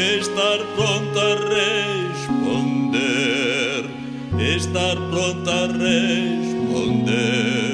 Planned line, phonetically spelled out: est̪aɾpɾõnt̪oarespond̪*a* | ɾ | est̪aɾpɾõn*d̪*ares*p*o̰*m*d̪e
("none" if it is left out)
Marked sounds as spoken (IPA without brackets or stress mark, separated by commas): e, t̪, p, n